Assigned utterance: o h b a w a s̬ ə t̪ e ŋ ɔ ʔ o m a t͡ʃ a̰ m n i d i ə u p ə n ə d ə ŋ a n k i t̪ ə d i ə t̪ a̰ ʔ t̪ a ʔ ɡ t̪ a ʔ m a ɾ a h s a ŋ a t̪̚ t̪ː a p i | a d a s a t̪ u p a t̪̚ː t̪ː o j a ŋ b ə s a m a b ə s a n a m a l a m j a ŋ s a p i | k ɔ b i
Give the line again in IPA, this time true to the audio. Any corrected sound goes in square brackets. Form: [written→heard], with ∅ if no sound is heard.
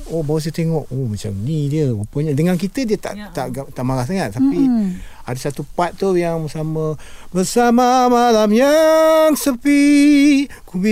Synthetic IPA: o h b a w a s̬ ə t̪ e ŋ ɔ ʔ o m a t͡ʃ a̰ m n i d i ə u p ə [n→ɲ] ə d ə ŋ a n k i t̪ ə d i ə t̪ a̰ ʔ t̪ a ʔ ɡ t̪ a ʔ m a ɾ a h s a ŋ a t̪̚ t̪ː a p i | a d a s a t̪ u p a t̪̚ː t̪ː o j a ŋ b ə s a m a b ə s a [n→m] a m a l a m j a ŋ s [a→ə] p i | k [ɔ→u] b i